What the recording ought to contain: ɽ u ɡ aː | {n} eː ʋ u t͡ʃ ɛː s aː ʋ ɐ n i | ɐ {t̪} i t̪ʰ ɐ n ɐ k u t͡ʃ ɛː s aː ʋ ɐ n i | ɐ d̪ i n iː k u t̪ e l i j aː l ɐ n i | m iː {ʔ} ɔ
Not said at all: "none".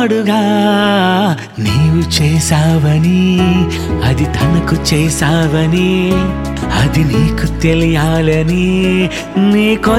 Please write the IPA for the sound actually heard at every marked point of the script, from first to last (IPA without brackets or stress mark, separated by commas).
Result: n, d̪, k